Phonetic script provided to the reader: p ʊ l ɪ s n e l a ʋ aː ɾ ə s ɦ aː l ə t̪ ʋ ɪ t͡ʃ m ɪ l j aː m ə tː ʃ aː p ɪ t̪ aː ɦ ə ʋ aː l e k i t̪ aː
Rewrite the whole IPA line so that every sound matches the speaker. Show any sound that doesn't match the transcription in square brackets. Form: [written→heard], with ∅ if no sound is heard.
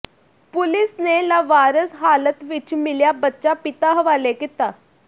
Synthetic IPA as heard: p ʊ l ɪ s n e l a ʋ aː ɾ ə s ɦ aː l ə t̪ ʋ ɪ t͡ʃ m ɪ l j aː [m→b] ə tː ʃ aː p ɪ t̪ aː ɦ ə ʋ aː l e k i t̪ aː